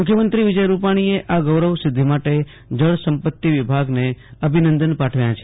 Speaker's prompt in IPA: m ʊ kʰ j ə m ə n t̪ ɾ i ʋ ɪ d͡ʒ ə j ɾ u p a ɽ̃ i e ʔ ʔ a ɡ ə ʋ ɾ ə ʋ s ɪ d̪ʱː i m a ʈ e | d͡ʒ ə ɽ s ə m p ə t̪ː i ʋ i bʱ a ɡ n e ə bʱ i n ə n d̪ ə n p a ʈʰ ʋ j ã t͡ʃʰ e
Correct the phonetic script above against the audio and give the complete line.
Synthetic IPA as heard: m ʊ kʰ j ə m ə n t̪ ɾ i ʋ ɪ d͡ʒ ə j ɾ u p a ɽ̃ i e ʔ ʔ a ɡ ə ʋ ɾ ə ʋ s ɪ d̪ʱː i m a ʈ e | d͡ʒ ə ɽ s ə m p ə t̪ː i ʋ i bʱ a ɡ n e ə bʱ i n ə n d̪ ə n p a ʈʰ ʋ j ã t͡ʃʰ e